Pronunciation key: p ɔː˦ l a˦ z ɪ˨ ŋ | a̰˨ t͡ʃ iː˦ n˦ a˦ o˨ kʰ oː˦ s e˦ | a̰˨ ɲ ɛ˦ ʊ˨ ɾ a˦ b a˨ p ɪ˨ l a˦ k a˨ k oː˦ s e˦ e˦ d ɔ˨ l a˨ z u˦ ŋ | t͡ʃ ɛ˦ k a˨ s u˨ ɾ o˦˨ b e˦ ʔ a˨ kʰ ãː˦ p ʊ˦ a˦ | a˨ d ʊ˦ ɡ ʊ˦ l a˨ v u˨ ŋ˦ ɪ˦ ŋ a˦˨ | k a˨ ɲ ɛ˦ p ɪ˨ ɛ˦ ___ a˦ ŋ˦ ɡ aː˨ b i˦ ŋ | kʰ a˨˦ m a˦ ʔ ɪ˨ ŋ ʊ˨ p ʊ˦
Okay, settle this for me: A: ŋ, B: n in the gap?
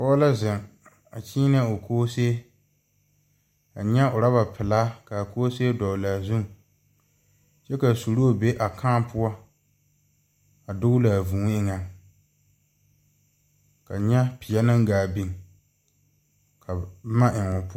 B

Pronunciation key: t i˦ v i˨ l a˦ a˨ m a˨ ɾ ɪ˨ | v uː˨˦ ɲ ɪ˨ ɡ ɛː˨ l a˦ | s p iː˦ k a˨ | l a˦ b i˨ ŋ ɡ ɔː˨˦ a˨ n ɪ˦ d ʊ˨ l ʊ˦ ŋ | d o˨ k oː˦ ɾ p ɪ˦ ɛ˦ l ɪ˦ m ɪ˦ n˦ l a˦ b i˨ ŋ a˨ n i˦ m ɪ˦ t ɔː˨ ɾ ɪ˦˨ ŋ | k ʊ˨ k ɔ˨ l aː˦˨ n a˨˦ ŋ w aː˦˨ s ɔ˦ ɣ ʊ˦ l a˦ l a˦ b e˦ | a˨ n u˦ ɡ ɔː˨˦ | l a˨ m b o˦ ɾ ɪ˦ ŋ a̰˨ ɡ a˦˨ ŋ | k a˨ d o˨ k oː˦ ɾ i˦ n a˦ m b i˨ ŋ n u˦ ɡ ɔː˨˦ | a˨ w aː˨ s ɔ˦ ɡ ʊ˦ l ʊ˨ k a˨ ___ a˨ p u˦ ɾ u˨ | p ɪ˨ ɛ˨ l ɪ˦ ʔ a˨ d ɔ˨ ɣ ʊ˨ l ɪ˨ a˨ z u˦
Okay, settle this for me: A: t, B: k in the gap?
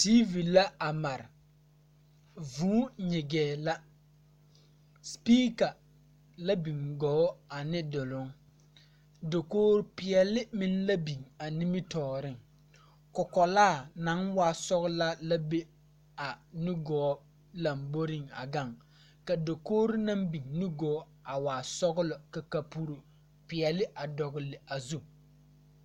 B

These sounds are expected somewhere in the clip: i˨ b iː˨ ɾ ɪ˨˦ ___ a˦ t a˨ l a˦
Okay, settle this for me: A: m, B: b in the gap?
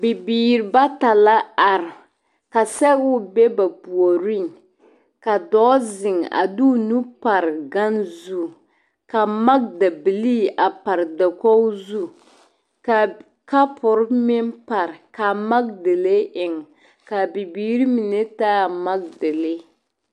B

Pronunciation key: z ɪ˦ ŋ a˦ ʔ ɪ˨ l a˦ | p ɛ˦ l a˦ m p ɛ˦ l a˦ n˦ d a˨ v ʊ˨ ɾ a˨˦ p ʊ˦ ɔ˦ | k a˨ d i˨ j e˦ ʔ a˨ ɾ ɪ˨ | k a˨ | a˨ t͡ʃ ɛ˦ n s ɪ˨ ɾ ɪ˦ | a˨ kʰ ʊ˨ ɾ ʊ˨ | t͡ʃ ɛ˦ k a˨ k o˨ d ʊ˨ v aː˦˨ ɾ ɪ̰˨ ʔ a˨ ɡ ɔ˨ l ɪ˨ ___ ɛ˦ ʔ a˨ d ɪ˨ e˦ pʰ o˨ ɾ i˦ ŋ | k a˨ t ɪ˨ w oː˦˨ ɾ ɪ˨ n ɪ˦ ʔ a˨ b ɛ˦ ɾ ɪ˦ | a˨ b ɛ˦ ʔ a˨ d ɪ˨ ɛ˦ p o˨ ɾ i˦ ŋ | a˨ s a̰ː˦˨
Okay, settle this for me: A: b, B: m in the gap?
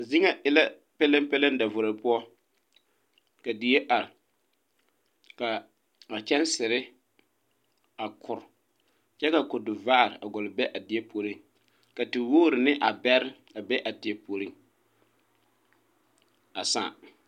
A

